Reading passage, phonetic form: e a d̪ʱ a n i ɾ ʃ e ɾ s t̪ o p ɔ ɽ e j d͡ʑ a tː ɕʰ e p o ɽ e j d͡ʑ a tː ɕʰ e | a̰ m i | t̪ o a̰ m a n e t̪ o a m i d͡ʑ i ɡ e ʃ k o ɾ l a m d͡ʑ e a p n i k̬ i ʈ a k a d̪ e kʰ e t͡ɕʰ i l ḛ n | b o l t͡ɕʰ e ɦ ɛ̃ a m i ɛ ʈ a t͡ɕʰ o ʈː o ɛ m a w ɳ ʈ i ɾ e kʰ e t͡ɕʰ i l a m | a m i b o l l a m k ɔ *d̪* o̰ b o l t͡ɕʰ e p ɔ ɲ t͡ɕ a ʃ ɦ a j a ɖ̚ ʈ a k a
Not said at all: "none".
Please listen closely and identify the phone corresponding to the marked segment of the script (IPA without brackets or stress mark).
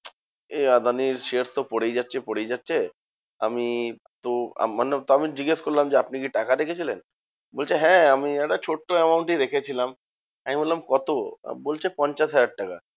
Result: t̪